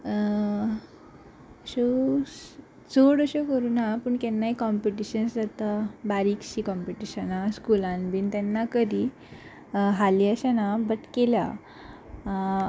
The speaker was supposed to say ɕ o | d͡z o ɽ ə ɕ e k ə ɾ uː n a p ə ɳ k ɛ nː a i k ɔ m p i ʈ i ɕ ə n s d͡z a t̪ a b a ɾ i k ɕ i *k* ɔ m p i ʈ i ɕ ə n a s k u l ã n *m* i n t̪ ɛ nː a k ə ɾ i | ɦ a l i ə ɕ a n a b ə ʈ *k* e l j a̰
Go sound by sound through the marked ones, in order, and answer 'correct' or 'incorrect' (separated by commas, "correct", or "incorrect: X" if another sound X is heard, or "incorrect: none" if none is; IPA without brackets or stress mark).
correct, incorrect: b, correct